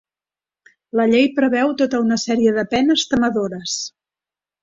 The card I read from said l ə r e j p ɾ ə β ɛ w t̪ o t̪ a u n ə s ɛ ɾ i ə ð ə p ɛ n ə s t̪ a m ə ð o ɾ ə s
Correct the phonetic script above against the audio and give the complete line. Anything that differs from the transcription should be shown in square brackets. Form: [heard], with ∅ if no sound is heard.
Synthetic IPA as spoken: l ə [ʎ] e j p ɾ ə β ɛ w t̪ o t̪ [ə] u n ə s ɛ ɾ i ə ð ə p ɛ n ə s t̪ [ə] m ə ð o ɾ ə s